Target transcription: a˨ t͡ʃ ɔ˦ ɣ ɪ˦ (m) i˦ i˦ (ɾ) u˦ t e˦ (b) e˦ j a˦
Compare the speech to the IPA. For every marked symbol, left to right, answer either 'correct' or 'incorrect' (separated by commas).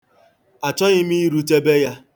correct, correct, correct